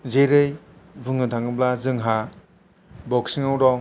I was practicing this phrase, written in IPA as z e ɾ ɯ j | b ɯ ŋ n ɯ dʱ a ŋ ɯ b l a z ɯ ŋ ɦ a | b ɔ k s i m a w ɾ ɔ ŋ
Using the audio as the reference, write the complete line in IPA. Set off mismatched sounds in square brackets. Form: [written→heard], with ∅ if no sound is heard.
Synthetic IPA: z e ɾ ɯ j | b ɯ ŋ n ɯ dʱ a ŋ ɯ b l a z ɯ ŋ ɦ a | b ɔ k s i [m→ŋ] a w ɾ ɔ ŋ